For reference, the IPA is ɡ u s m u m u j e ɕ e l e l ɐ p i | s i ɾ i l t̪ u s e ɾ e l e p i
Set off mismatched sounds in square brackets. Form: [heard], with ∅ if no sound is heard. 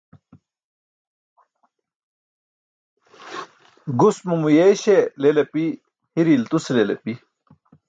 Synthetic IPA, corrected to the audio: ɡ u s m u m u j e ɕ e l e l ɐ p i | [h] i ɾ i l t̪ u s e [l] e l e p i